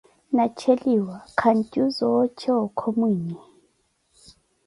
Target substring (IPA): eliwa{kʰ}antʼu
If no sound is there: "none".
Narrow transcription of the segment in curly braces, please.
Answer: kʰ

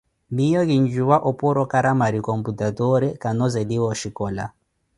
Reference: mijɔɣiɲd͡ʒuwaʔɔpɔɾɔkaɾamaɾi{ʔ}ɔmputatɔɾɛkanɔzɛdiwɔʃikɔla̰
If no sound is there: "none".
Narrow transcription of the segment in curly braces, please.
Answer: k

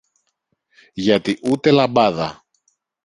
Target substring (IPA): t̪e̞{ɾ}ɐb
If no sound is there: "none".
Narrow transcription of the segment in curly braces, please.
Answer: l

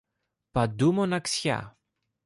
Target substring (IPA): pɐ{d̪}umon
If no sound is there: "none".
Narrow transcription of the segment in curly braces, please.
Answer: d̪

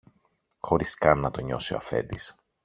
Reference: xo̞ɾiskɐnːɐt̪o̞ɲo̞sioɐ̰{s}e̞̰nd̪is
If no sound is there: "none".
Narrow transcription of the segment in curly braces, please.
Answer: f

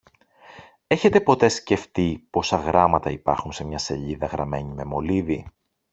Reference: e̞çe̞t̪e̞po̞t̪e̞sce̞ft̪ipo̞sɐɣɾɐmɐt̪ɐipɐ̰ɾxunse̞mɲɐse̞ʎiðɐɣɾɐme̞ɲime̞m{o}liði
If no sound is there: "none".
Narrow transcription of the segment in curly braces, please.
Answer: o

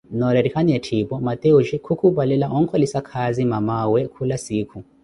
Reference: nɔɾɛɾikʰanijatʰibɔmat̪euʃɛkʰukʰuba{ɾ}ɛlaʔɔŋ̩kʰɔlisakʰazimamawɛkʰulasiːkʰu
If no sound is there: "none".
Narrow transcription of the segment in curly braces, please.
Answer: l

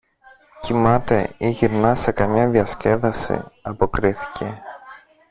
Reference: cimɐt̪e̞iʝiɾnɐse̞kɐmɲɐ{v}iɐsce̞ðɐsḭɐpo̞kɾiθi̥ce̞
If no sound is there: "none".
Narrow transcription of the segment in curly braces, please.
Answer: ð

